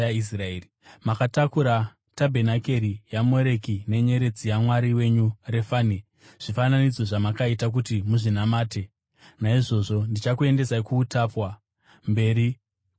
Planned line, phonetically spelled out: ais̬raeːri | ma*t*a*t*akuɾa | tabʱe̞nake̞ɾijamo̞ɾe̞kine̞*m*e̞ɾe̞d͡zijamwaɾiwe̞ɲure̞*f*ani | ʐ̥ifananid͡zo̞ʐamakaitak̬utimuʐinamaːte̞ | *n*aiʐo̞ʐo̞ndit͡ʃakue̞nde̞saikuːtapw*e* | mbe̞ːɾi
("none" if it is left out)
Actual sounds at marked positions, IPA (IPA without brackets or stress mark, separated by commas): k, t, ɲ, f, n, a